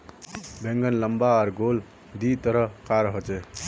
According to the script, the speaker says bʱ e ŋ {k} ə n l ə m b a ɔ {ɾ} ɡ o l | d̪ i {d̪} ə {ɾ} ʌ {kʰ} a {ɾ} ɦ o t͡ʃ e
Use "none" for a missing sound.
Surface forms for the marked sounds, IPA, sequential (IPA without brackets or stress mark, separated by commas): ɡ, ɾ, t̪, ɾ, k, ɾ